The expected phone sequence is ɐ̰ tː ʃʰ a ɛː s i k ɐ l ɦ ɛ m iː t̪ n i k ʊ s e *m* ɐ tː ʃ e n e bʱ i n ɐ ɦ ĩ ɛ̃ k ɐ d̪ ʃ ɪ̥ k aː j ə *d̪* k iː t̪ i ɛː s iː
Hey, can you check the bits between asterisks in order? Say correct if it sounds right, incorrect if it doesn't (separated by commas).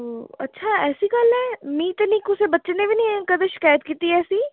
incorrect, incorrect